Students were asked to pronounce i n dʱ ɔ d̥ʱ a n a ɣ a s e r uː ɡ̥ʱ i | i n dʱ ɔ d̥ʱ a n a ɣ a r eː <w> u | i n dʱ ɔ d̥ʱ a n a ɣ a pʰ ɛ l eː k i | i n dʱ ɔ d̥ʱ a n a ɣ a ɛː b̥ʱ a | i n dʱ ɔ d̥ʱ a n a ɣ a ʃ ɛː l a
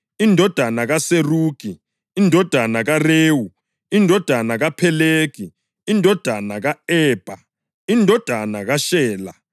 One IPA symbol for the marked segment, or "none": w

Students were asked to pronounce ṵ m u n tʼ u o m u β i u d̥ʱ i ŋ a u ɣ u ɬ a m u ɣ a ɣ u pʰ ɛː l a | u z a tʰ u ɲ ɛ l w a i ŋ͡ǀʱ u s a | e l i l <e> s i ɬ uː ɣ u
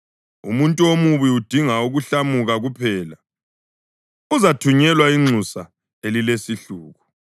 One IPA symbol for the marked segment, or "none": e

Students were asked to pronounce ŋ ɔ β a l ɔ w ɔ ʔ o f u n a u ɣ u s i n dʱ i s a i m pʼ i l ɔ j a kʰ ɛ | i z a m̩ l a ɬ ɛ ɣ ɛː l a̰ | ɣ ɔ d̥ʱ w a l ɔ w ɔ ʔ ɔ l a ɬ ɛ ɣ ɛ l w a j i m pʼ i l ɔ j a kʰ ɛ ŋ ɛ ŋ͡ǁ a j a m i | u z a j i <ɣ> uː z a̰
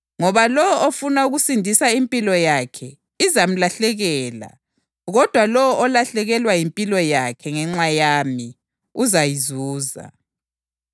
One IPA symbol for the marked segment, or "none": z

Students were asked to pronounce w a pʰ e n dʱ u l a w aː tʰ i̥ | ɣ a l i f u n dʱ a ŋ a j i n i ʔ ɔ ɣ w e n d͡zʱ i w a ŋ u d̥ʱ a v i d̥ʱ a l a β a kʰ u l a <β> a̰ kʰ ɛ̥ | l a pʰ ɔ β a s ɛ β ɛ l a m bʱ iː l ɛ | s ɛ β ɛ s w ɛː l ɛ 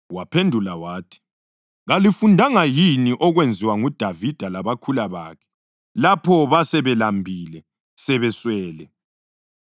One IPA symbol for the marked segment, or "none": β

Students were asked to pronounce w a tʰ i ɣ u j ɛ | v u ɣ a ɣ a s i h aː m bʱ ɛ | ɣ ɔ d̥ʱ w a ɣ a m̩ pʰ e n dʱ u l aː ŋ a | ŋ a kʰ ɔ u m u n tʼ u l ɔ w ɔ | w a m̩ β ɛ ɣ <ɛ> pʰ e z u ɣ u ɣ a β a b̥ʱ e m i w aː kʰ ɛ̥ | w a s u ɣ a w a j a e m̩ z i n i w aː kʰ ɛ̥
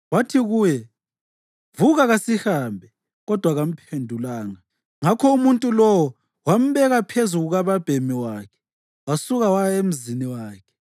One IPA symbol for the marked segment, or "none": a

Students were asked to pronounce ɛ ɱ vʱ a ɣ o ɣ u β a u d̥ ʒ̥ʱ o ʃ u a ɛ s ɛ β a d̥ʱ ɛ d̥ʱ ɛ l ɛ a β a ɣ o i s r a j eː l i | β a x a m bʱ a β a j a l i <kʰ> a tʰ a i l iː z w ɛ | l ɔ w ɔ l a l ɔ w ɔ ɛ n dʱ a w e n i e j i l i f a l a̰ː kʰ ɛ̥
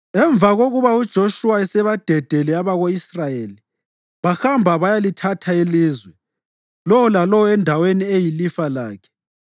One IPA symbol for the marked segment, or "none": tʰ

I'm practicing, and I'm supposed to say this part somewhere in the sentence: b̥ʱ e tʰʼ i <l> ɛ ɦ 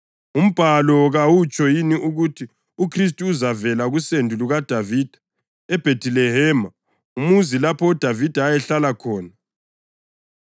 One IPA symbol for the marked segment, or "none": l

